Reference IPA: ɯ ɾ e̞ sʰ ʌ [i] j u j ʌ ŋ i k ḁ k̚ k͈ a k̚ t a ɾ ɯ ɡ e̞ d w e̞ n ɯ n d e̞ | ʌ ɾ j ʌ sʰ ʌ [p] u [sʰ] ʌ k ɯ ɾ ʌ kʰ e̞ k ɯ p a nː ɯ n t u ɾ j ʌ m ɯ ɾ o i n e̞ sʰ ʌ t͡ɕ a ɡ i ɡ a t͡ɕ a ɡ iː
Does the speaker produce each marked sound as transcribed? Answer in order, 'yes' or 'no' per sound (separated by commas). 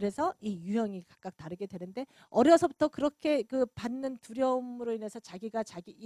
yes, no, no